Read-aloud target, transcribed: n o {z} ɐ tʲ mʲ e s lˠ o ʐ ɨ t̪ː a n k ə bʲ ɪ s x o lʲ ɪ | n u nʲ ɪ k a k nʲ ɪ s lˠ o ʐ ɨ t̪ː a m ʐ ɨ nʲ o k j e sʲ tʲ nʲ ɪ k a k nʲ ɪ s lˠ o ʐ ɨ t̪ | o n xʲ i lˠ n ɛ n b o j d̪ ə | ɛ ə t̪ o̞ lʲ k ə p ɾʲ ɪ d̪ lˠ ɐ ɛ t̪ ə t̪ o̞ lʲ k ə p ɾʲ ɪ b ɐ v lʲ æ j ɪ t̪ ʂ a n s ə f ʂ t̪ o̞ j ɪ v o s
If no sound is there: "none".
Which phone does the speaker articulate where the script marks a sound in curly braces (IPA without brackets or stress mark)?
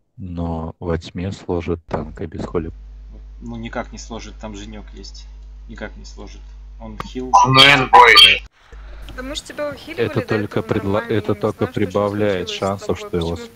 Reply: v